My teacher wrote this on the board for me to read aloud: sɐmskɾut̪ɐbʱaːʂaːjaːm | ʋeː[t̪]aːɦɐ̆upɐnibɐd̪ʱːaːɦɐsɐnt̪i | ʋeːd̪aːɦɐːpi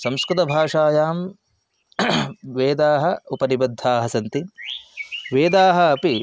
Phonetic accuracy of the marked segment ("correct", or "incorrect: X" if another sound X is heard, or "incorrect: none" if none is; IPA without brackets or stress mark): incorrect: d̪